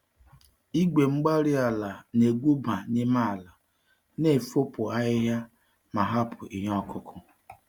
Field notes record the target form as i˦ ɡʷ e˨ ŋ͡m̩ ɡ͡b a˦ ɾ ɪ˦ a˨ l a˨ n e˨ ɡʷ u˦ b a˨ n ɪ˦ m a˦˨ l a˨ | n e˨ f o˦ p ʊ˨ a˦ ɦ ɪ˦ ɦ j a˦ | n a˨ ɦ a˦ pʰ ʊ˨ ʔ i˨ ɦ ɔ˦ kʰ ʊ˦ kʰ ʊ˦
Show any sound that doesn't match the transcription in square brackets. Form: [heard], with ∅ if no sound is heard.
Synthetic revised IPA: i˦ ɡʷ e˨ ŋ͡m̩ ɡ͡b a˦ ɾ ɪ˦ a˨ l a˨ n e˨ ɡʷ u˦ b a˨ n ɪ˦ m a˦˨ l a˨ | n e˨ f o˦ p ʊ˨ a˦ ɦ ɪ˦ ɦ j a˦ | [m] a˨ ɦ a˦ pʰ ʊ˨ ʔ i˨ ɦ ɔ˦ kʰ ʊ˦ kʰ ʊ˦

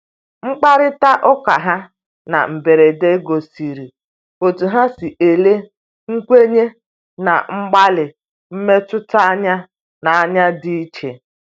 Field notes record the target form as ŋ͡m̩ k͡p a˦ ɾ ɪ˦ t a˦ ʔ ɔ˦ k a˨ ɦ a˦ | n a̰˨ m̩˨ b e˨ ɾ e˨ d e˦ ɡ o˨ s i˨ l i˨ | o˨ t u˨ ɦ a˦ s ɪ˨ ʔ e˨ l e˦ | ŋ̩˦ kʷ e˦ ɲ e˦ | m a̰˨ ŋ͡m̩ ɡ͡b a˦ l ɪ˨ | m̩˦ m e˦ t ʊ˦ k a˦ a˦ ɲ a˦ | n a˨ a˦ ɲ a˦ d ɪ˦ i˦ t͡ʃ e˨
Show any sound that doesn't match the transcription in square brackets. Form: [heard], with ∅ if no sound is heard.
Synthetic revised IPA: ŋ͡m̩ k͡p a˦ ɾ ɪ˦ t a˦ ʔ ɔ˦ k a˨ ɦ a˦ | n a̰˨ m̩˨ b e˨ ɾ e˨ d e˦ ɡ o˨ s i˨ [ɾ] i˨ | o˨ t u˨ ɦ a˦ s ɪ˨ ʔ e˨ l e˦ | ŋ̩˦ kʷ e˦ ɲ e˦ | [n] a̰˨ ŋ͡m̩ ɡ͡b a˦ l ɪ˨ | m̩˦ m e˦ t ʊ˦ [t] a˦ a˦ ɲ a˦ | n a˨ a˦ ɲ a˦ d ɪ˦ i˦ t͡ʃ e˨

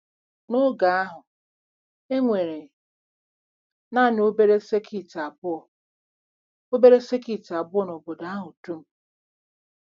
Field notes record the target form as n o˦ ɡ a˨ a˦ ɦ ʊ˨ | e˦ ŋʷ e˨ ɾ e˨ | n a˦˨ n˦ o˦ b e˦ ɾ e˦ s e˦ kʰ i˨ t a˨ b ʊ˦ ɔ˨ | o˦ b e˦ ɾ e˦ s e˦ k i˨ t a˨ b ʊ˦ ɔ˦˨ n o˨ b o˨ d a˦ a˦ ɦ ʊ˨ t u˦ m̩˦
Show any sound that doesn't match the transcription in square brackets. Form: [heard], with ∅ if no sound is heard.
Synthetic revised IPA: n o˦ ɡ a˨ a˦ ɦ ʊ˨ | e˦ ŋʷ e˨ ɾ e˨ | n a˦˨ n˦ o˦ b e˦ ɾ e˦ s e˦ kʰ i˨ t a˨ b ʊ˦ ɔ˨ | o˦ b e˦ ɾ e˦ s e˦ k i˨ t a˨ b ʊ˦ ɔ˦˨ n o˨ b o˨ d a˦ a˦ ɦ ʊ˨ t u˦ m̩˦

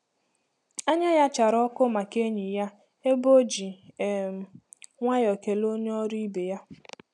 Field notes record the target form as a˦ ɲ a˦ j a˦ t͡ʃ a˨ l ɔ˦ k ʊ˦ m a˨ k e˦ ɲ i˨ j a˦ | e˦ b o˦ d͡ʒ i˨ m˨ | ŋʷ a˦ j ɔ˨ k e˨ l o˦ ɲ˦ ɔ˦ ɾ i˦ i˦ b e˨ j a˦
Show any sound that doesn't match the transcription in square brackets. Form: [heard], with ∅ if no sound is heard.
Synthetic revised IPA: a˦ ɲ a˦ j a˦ t͡ʃ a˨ [ɾ] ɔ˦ k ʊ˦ m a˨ k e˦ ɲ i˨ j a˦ | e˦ b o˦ d͡ʒ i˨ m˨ | ŋʷ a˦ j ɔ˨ k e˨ l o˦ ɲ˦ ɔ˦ ɾ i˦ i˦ b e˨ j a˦

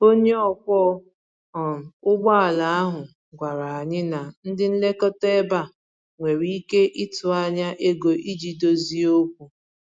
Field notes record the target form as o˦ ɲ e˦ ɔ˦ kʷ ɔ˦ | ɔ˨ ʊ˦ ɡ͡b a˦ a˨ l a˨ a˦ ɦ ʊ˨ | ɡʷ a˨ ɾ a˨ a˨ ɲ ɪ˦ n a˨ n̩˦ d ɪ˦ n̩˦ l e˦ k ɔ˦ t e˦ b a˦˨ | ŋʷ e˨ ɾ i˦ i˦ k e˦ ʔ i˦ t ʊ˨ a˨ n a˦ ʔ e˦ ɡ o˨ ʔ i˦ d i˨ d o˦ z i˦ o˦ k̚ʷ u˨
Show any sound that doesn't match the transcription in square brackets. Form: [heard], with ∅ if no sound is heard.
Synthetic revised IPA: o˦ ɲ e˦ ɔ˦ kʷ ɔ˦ | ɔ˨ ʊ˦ ɡ͡b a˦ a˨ l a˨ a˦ ɦ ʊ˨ | ɡʷ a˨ ɾ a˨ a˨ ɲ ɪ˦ n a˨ n̩˦ d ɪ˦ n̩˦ l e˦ k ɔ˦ t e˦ b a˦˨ | ŋʷ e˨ ɾ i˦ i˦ k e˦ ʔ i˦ t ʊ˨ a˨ [ɲ] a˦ ʔ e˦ ɡ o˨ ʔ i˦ [d͡ʒ] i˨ d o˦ z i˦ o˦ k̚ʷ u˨

